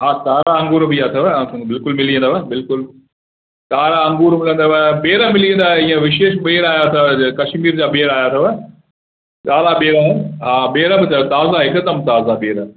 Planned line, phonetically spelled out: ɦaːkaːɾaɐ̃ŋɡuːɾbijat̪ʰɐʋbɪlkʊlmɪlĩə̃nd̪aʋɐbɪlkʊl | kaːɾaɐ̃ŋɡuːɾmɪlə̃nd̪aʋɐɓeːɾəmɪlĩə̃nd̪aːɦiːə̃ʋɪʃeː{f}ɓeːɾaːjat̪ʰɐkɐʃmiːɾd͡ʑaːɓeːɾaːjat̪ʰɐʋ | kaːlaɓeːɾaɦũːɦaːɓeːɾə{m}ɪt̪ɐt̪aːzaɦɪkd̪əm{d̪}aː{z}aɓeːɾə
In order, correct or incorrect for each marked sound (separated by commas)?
incorrect, incorrect, incorrect, correct